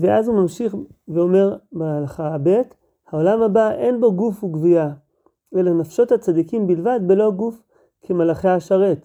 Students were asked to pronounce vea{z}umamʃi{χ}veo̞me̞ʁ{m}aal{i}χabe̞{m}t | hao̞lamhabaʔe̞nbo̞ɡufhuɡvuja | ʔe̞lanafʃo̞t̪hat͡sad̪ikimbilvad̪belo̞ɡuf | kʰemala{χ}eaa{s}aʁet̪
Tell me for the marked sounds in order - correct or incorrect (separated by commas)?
correct, correct, incorrect, incorrect, incorrect, correct, incorrect